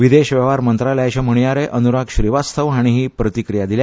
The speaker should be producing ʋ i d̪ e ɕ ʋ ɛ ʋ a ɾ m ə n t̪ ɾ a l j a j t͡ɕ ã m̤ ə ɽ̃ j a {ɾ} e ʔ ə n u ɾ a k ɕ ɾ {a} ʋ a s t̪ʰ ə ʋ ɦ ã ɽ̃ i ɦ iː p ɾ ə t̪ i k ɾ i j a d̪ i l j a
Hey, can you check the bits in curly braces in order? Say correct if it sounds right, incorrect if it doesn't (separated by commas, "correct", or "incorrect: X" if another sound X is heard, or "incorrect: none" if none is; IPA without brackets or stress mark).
correct, incorrect: i